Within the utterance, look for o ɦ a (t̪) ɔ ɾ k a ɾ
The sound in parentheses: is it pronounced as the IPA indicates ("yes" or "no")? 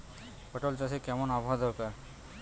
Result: no